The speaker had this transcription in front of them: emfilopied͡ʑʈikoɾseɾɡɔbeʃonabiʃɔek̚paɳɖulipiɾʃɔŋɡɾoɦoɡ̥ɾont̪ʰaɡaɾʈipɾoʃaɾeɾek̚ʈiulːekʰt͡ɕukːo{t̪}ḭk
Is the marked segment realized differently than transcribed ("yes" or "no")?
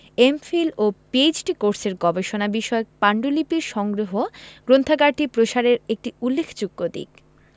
yes